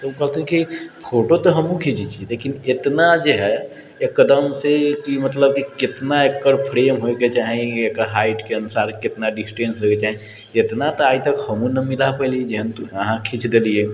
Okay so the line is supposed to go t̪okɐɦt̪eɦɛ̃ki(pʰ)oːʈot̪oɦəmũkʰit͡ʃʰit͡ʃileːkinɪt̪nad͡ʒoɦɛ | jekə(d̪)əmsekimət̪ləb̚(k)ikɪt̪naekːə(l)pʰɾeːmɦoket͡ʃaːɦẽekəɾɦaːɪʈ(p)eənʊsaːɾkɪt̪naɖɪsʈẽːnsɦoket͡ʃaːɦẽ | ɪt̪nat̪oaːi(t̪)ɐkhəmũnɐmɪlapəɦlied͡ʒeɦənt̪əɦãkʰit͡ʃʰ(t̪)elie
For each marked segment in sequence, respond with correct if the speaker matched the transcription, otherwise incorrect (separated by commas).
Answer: correct, correct, correct, incorrect, incorrect, correct, incorrect